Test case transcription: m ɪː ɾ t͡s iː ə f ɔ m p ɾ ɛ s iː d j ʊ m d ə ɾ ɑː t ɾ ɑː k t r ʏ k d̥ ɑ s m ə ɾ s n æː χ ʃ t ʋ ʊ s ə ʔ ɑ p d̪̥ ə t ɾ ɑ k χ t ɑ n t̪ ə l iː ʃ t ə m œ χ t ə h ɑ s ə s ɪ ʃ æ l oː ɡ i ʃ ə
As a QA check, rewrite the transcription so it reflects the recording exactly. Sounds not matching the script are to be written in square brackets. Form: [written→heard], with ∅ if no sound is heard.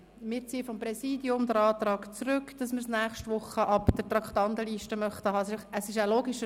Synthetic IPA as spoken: m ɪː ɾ t͡s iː ə f ɔ m p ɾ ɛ s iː d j ʊ m d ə ɾ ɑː t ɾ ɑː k [t→t͡s] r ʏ k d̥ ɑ s m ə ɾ s n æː χ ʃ t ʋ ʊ [s→χ] ə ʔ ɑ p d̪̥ ə t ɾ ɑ k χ t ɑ n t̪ ə l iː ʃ t ə m œ χ t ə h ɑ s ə s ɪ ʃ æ l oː ɡ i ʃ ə